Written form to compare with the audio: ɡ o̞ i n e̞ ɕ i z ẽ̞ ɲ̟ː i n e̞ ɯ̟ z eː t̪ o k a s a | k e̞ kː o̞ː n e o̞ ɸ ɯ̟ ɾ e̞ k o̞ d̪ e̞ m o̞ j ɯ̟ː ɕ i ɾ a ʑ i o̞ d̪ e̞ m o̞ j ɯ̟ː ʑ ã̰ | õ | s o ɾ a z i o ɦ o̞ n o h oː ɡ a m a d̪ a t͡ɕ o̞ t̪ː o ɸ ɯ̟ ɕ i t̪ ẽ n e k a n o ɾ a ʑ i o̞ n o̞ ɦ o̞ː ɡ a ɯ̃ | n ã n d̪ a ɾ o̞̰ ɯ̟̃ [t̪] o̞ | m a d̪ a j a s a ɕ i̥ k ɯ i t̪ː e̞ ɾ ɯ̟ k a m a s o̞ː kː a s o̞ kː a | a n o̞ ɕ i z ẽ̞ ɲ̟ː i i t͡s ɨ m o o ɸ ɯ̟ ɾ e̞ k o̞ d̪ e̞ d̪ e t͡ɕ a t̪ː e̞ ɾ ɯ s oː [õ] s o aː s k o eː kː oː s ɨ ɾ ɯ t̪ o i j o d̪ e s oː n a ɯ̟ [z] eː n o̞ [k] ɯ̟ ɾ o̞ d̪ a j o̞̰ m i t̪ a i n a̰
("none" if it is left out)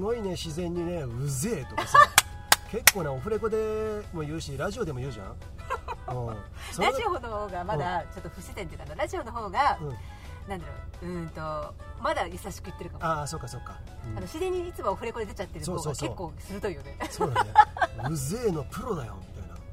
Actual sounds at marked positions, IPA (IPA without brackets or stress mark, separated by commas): t̪, o, z, p